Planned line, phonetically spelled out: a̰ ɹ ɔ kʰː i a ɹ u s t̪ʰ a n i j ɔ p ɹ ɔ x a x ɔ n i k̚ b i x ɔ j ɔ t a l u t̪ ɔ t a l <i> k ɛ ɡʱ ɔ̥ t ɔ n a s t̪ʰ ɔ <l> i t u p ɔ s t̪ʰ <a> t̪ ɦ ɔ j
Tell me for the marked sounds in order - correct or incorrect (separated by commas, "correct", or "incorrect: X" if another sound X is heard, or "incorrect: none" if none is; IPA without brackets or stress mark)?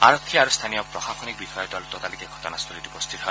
correct, correct, incorrect: i